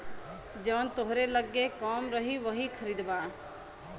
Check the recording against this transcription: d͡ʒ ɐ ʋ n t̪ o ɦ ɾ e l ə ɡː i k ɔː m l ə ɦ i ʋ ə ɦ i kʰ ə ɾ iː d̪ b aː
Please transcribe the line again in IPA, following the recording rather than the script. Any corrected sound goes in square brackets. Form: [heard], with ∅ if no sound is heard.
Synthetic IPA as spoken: d͡ʒ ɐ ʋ n t̪ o ɦ ɾ e l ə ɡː [e] k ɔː m [ɾ] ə ɦ i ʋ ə ɦ i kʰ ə ɾ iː d̪ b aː